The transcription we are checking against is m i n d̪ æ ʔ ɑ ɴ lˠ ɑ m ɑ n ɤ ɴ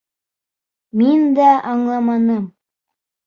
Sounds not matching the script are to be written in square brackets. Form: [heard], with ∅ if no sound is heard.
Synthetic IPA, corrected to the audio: m i n d̪ æ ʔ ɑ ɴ lˠ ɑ m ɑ n ɤ [m]